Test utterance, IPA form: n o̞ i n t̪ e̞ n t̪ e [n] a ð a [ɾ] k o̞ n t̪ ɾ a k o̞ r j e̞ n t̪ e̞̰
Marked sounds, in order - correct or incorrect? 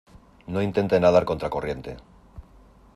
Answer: correct, correct

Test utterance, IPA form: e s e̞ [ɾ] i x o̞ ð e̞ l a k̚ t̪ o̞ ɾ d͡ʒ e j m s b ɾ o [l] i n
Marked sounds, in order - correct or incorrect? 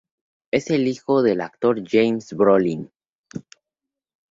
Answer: incorrect: l, correct

